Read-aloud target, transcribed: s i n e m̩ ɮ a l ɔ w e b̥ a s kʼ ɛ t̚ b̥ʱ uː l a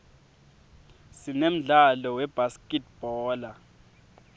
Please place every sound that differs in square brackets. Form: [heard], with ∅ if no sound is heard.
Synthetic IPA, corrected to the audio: s i n e m̩ ɮ a l ɔ w [ɛ] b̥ a s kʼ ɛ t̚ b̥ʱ [ɔː] l a

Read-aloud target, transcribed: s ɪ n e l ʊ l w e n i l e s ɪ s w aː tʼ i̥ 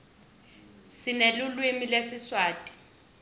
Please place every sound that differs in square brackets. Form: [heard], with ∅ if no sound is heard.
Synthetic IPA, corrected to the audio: s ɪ n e l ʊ l w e [m] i l e s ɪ s w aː tʼ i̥

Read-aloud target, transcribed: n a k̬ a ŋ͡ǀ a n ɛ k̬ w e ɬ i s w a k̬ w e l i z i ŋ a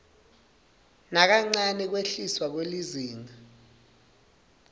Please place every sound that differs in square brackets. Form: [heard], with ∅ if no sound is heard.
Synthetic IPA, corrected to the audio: n a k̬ a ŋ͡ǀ a n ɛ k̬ w e ɬ i s w a k̬ w e l i z [iː] ŋ a

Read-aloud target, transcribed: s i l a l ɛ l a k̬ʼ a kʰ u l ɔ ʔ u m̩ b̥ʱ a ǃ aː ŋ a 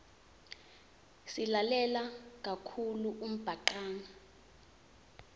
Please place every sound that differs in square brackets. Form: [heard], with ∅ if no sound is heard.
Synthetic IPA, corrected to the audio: s i l a l ɛ l a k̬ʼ a kʰ u l [u] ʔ u m̩ b̥ʱ a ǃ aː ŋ a

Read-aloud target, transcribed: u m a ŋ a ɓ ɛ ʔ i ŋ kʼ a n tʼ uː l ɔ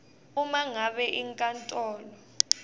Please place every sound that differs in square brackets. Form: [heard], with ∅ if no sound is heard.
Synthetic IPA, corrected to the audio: u m a ŋ a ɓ ɛ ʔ i ŋ kʼ a n tʼ [ɔː] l ɔ

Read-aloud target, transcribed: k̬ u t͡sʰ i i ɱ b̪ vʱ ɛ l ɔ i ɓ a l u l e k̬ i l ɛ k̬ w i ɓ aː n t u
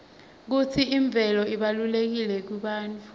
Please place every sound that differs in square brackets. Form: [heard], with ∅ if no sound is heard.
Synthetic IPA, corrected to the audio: k̬ u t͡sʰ i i ɱ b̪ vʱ ɛ l ɔ i ɓ a l u l e k̬ i l ɛ k̬ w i ɓ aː n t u

